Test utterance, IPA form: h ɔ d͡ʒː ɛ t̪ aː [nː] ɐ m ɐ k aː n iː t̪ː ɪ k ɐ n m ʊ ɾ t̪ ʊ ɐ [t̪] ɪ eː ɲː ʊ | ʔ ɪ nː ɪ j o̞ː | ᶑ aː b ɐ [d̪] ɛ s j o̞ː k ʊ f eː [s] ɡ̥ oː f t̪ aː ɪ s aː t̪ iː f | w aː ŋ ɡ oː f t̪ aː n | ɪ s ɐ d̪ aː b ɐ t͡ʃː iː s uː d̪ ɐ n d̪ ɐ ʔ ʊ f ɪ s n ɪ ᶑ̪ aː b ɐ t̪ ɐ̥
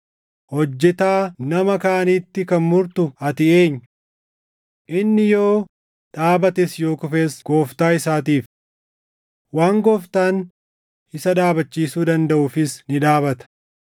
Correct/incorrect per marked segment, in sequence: incorrect: n, correct, incorrect: t̪, correct

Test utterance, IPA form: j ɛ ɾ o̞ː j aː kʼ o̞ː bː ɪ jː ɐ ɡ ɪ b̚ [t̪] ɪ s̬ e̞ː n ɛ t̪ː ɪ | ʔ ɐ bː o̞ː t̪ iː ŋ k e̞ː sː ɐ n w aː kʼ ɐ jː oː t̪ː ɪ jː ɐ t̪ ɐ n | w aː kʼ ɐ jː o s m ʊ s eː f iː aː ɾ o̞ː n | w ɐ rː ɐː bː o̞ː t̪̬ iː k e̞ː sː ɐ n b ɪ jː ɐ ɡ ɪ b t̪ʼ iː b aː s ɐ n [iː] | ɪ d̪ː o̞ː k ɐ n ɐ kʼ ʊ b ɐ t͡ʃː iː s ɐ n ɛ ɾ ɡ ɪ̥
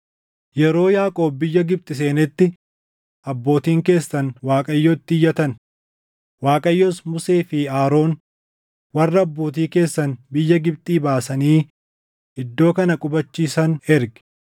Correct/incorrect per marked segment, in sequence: incorrect: t̪ʼ, correct

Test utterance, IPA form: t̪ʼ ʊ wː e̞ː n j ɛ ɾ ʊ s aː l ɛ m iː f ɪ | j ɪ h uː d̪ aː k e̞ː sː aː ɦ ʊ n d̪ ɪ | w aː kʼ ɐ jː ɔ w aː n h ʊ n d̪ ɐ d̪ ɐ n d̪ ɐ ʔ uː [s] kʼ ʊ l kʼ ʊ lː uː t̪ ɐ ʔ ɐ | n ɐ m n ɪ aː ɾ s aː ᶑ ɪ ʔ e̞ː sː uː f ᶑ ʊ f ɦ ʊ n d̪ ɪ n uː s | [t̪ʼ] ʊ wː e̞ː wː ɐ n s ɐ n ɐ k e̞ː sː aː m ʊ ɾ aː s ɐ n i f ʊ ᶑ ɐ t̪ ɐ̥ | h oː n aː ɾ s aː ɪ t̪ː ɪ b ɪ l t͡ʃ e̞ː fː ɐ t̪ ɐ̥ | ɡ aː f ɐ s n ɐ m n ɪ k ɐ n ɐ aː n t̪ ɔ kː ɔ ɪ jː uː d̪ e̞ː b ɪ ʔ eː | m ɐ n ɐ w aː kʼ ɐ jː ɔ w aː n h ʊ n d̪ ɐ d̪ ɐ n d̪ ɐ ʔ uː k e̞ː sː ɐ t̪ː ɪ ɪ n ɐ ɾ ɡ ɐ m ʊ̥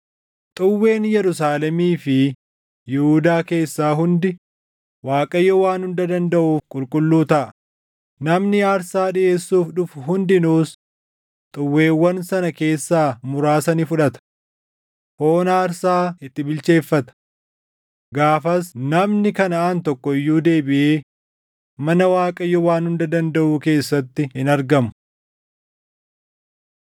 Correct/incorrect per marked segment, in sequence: incorrect: f, correct

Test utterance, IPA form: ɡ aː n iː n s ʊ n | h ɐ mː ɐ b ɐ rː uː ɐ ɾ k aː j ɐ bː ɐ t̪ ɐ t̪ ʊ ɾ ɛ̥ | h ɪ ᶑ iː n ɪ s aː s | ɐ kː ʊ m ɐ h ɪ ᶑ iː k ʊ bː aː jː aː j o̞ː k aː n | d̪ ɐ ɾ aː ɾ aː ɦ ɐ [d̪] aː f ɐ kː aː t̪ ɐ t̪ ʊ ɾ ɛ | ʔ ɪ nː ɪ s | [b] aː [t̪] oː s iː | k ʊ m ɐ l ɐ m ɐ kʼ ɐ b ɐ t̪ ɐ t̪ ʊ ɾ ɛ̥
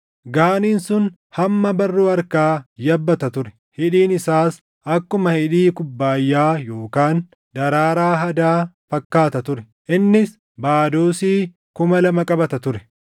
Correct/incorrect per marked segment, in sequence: correct, correct, incorrect: d̪

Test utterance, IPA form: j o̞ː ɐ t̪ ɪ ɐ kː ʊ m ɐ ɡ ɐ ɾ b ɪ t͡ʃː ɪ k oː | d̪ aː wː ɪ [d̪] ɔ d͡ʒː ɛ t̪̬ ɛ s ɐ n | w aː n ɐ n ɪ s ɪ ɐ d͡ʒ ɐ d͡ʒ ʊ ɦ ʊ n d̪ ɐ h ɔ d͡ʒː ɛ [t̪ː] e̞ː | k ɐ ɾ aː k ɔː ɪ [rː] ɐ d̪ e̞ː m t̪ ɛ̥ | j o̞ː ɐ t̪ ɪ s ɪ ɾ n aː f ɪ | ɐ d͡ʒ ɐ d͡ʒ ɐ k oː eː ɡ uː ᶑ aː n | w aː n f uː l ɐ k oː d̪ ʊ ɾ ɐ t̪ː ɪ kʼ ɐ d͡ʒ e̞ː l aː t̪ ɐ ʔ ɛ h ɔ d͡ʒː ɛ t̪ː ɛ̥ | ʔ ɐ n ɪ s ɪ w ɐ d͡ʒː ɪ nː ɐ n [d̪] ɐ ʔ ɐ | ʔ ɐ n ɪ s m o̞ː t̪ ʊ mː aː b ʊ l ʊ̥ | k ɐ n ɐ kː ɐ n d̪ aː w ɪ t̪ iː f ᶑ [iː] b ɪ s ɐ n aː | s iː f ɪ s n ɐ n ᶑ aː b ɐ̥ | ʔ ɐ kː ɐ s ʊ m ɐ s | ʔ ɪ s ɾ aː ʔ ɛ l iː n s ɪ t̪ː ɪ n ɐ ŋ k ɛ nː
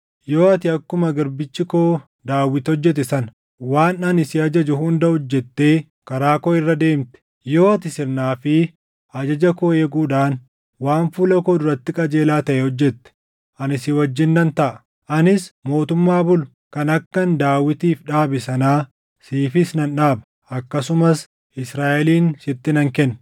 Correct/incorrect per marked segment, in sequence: incorrect: t̪, correct, correct, incorrect: t̪, incorrect: aː

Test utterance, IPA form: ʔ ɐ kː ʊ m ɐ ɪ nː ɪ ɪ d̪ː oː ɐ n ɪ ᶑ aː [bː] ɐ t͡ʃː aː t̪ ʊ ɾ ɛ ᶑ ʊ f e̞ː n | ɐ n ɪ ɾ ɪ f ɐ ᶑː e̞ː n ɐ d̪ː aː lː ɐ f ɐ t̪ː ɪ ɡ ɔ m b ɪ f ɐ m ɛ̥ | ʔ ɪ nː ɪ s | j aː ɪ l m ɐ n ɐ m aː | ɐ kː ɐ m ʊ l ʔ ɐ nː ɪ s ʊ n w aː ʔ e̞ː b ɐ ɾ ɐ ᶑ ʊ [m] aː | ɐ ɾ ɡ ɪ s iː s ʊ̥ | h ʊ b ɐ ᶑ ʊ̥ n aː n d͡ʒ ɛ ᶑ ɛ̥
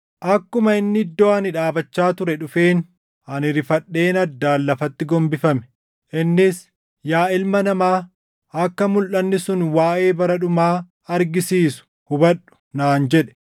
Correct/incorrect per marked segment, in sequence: incorrect: b, correct

